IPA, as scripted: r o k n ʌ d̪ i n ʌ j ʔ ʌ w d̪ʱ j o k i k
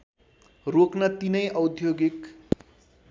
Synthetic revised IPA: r o k n ʌ t̪ i n ʌ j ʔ ʌ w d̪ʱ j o ɡ i k